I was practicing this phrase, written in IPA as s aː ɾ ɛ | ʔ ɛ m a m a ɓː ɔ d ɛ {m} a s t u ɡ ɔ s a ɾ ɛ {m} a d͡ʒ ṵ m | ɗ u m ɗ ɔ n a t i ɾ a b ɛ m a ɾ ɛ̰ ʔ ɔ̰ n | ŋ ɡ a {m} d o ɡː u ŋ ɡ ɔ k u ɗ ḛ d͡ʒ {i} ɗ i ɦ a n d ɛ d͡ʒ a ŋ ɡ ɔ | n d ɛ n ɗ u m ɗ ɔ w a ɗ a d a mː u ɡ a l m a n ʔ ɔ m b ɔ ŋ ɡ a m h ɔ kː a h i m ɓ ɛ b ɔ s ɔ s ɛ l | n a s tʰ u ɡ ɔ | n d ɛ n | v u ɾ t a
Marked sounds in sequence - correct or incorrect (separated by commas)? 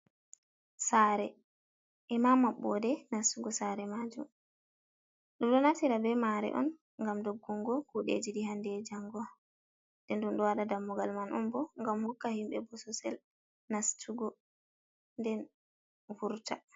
incorrect, correct, correct, correct